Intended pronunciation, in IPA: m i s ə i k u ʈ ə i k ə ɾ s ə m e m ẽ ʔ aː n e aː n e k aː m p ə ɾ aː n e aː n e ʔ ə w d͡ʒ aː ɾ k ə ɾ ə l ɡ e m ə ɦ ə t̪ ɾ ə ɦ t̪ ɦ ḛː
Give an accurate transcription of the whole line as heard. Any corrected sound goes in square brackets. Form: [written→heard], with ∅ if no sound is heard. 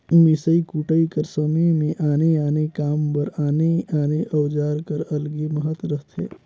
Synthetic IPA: m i s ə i k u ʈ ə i k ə ɾ s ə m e m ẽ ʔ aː n e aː n e k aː m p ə ɾ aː n e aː n e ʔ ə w d͡ʒ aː ɾ k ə ɾ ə l ɡ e m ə ɦ ə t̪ ɾ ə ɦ t̪ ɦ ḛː